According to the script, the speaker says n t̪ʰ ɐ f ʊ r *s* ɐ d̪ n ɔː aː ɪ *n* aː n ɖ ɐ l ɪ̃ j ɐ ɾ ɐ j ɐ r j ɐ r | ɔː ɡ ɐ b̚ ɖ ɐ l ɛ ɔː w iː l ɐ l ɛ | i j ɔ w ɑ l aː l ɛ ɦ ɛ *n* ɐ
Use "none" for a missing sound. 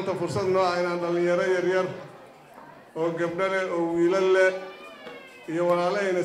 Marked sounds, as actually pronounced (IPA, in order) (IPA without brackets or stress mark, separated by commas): s, n, n